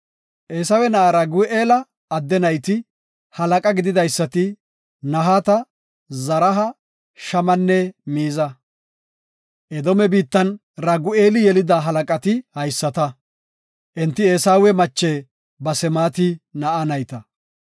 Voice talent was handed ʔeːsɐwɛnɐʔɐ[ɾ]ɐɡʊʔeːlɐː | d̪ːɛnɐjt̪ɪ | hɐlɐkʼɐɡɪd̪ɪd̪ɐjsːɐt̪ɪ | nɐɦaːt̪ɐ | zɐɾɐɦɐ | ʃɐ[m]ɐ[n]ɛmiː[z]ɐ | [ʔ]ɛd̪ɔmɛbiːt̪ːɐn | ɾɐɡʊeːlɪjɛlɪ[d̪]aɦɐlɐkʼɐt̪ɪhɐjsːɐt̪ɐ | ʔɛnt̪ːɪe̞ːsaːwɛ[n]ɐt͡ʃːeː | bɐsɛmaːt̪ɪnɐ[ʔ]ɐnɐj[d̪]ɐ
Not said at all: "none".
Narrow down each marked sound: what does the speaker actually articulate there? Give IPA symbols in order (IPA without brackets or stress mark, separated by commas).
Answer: ɾ, m, nː, z, ʔ, d̪, m, ʔ, t̪